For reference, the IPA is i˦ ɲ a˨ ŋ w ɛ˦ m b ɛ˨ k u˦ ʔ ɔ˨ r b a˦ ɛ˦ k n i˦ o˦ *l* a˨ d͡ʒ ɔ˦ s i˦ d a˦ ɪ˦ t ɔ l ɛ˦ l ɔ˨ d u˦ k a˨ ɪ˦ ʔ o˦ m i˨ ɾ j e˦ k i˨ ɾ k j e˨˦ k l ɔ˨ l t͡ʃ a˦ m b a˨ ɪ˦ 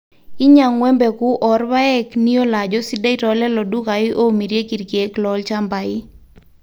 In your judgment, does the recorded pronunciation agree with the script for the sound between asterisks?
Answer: yes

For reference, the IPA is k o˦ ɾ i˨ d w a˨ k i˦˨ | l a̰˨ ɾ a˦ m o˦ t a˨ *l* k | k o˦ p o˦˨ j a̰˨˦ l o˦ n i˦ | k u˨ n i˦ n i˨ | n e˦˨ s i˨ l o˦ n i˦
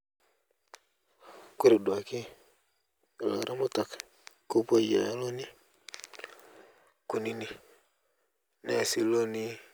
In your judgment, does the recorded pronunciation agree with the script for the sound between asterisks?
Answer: no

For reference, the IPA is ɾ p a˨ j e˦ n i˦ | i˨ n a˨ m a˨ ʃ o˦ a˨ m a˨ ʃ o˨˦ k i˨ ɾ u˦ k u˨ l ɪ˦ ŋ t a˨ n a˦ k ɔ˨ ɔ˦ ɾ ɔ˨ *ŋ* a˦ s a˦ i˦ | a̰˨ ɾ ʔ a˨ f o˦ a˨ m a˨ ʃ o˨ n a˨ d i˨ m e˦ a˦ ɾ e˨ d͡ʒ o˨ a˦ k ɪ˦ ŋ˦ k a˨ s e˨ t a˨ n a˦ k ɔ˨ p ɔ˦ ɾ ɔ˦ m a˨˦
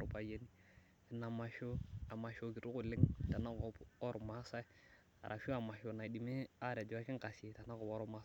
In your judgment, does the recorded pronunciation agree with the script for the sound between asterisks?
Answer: no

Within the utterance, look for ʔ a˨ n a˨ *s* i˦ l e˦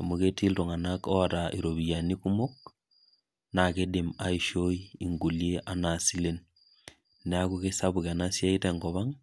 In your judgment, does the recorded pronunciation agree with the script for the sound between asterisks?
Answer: yes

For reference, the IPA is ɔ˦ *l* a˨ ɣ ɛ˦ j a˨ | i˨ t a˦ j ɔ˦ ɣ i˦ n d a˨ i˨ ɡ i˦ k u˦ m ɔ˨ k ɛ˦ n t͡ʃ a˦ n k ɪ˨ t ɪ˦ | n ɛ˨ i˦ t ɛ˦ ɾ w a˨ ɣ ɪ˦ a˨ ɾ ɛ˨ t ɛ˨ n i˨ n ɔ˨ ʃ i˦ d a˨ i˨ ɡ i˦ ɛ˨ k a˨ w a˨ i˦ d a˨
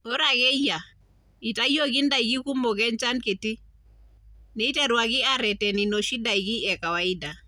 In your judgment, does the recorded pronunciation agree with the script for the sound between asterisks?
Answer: no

